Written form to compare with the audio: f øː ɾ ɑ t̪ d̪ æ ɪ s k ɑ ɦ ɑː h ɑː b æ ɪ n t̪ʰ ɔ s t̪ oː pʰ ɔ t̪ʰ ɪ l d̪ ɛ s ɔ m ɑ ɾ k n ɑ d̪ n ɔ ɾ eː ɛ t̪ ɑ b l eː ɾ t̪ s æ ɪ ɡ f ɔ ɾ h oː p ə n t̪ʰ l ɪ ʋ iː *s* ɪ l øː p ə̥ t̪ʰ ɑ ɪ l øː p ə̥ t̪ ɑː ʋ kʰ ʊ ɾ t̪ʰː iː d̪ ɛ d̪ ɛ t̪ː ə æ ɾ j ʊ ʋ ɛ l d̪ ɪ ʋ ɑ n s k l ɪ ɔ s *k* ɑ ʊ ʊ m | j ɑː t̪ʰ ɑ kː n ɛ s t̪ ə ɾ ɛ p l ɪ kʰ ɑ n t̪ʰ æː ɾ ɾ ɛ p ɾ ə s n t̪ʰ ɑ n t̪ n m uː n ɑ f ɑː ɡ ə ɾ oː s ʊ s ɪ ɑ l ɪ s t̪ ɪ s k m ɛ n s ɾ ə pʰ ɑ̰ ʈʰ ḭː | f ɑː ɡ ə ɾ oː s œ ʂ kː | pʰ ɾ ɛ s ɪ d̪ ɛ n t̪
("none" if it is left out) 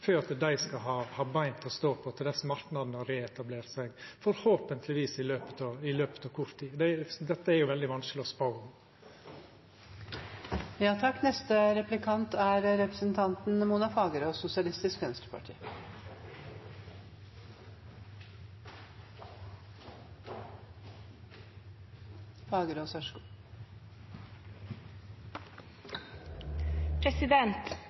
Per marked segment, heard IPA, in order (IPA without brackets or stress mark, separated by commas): s, p